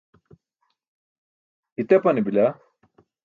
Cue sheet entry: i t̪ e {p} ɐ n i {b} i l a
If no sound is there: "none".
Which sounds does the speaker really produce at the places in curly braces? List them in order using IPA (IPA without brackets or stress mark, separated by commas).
p, b